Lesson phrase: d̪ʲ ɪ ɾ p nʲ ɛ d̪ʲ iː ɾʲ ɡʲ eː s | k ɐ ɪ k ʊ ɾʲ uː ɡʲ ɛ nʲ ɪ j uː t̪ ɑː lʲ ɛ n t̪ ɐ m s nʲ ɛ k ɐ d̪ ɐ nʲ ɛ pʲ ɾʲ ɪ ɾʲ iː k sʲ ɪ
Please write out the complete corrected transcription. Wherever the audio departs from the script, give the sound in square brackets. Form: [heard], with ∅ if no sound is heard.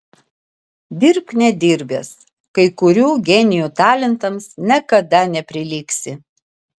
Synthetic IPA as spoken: d̪ʲ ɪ ɾ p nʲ ɛ d̪ʲ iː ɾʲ [bʲ] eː s | k ɐ ɪ k ʊ ɾʲ uː ɡʲ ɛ nʲ ɪ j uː t̪ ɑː lʲ ɛ n t̪ ɐ m s nʲ ɛ k ɐ d̪ ɐ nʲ ɛ pʲ ɾʲ ɪ [lʲ] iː k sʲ ɪ